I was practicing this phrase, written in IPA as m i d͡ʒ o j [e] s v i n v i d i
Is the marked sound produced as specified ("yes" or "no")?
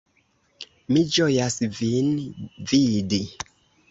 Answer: no